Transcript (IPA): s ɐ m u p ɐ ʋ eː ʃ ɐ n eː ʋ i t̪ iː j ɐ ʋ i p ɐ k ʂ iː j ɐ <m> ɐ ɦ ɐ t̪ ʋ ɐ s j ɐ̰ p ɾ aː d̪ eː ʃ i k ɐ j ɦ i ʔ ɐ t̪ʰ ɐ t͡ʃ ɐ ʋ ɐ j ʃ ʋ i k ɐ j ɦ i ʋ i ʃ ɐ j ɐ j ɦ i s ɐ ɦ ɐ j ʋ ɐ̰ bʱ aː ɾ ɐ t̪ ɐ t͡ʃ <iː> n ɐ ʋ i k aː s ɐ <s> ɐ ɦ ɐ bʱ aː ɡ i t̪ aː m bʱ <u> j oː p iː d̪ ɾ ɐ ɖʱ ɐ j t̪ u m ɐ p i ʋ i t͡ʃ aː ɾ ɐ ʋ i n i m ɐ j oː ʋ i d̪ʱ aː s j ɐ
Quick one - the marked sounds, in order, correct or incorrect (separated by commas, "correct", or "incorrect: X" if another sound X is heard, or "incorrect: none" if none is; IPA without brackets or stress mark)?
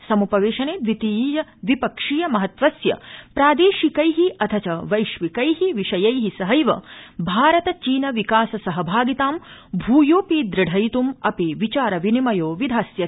correct, correct, correct, incorrect: uː